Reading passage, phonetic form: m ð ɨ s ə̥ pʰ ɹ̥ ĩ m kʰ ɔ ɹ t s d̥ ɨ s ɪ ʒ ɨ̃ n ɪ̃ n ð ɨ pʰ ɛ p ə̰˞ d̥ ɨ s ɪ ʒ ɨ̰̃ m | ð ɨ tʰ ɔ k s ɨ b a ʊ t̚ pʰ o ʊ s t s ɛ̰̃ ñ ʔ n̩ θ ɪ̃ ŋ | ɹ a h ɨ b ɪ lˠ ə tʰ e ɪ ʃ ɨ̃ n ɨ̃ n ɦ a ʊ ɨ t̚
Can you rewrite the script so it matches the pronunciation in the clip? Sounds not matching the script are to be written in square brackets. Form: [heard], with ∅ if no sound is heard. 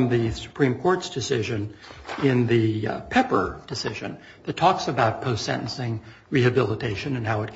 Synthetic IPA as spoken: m ð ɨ s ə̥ pʰ ɹ̥ ĩ m kʰ ɔ ɹ t s d̥ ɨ s ɪ ʒ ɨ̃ n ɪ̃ n ð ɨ pʰ ɛ p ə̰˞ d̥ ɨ s ɪ ʒ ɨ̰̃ [n] | ð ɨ tʰ ɔ k s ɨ b a ʊ t̚ pʰ o ʊ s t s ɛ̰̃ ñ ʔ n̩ [s] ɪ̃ ŋ | ɹ [i] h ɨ b ɪ lˠ ə tʰ e ɪ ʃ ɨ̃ n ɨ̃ n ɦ a ʊ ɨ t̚